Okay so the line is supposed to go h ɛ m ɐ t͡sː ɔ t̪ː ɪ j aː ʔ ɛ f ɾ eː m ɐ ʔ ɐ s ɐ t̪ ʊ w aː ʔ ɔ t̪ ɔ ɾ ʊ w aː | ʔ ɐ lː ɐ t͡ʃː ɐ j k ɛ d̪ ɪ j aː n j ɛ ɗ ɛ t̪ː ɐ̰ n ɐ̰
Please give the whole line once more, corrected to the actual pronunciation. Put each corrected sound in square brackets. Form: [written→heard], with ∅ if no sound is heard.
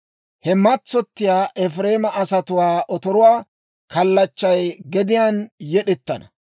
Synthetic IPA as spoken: h ɛ m ɐ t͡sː ɔ t̪ː ɪ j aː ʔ ɛ f ɾ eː m ɐ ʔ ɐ s ɐ t̪ ʊ w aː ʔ ɔ t̪ ɔ ɾ ʊ w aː | [ʔ→k] ɐ lː ɐ t͡ʃː ɐ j [k→ɡ] ɛ d̪ ɪ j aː n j ɛ ɗ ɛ t̪ː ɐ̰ n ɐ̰